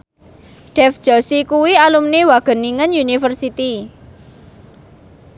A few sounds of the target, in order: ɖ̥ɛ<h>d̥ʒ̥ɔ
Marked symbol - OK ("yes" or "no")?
no